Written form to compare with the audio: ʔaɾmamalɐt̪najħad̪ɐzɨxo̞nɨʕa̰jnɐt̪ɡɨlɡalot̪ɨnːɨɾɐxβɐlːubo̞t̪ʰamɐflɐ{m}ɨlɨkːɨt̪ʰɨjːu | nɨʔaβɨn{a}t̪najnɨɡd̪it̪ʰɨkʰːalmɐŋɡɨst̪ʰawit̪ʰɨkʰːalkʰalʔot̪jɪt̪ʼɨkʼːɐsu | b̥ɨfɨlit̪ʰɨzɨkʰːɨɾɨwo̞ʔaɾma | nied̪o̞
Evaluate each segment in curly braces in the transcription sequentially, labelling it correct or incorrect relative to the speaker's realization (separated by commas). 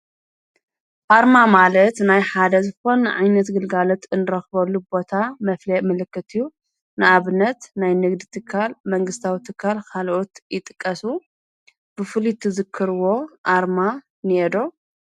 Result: correct, incorrect